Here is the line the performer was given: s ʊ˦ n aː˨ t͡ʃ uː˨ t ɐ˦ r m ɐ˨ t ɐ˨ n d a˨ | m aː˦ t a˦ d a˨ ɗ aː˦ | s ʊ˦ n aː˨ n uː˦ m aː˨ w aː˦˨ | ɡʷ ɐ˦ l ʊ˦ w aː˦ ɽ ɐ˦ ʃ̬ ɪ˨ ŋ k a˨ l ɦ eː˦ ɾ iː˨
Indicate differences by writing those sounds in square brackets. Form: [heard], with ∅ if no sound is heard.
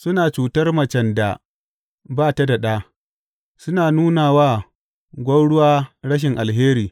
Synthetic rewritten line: s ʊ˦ n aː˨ t͡ʃ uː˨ t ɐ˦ r m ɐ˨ [t͡ʃ] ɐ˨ n d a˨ | [b] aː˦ t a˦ d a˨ ɗ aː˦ | s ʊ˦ n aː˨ n uː˦ [n] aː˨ w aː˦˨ | ɡʷ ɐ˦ [ɽ] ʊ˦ w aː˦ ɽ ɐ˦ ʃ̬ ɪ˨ ŋ [ʔ] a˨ l ɦ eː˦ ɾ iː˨